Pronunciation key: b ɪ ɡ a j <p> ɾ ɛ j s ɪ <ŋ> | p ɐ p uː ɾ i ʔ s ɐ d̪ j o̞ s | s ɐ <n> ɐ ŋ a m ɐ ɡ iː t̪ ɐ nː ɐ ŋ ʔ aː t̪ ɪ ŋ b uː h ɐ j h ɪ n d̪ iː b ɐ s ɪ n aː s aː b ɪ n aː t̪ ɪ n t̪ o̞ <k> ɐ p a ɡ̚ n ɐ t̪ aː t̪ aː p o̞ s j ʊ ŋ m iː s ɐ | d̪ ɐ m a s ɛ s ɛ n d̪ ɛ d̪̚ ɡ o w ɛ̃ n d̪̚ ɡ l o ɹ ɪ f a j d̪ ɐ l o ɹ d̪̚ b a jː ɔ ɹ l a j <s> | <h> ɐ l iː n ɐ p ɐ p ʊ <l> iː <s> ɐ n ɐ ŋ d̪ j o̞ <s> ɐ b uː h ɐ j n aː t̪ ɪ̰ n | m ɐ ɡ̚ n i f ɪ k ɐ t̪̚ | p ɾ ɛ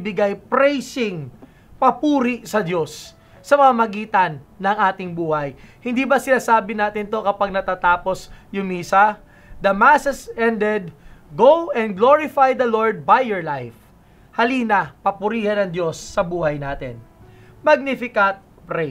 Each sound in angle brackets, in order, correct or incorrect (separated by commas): correct, correct, incorrect, correct, incorrect, correct, incorrect, incorrect, incorrect